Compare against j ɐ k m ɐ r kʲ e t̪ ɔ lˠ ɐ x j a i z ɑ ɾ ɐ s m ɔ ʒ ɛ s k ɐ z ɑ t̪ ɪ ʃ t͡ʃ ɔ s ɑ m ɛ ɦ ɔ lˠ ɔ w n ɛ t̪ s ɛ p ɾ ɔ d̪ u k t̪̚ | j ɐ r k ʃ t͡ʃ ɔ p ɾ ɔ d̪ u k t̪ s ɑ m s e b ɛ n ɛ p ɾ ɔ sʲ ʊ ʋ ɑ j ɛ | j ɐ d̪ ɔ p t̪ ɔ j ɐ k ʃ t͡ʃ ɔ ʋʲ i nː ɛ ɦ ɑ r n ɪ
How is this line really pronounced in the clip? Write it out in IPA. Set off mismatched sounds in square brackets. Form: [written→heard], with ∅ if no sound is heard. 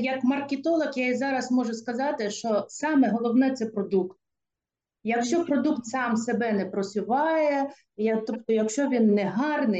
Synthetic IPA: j ɐ k m ɐ r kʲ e t̪ ɔ lˠ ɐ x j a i z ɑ ɾ ɐ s m ɔ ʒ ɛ s k ɐ z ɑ t̪ ɪ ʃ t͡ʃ ɔ s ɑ m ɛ ɦ ɔ lˠ ɔ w n ɛ t̪ s ɛ p ɾ ɔ d̪ u k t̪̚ | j ɐ [r→∅] k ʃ t͡ʃ ɔ p ɾ ɔ d̪ u k t̪ s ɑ m s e b ɛ n ɛ p ɾ ɔ sʲ ʊ ʋ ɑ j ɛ | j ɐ [d̪→t̪] ɔ p t̪ ɔ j ɐ k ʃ t͡ʃ ɔ ʋʲ i nː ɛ ɦ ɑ r n ɪ